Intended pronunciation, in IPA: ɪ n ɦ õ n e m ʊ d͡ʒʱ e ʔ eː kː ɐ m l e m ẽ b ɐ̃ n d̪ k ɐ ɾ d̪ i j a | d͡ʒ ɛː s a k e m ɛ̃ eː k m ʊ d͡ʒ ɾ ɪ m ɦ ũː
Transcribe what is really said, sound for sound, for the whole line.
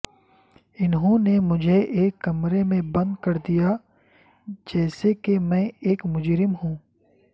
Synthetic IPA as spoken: ɪ n ɦ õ n e m ʊ d͡ʒʱ e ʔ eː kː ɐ m ɾ e m ẽ b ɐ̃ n d̪ k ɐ ɾ d̪ i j a | d͡ʒ ɛː s e k e m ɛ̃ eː k m ʊ d͡ʒ ɾ ɪ m ɦ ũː